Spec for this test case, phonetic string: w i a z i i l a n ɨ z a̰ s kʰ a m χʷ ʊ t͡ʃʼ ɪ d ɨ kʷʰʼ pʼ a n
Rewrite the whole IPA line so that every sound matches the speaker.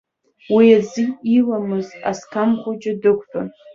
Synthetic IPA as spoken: w i a z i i l a m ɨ z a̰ s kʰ a m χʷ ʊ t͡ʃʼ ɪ d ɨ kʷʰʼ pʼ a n